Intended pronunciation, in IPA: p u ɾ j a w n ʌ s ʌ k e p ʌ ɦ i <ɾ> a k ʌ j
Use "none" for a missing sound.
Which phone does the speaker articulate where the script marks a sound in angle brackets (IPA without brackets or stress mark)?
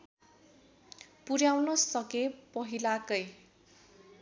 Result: l